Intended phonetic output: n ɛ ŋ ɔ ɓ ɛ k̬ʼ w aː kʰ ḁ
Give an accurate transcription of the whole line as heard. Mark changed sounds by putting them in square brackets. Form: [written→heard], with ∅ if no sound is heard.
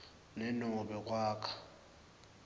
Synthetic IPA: n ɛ [ŋ→n] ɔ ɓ ɛ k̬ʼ w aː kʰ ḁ